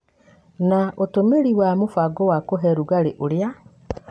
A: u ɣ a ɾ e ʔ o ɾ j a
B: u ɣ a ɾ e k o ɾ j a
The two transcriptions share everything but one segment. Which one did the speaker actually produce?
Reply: A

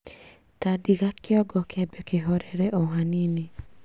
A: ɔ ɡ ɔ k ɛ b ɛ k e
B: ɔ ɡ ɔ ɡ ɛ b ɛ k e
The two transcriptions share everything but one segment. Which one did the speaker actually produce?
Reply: A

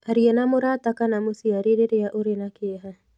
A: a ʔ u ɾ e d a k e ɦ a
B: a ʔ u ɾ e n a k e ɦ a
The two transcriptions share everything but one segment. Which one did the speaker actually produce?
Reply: B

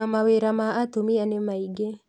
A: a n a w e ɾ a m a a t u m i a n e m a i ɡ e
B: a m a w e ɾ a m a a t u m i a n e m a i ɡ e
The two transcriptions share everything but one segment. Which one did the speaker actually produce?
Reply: B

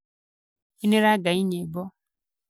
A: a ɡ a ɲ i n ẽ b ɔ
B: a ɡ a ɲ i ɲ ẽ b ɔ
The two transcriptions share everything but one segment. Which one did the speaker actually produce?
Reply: B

